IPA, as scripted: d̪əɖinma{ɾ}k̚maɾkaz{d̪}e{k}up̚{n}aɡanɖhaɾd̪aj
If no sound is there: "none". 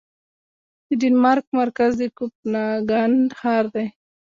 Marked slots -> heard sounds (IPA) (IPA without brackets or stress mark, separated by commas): ɾ, d̪, k, n